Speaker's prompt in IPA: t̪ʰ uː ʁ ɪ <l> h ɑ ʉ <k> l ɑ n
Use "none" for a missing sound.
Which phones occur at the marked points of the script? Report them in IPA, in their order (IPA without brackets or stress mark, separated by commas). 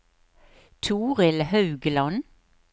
l, ɡ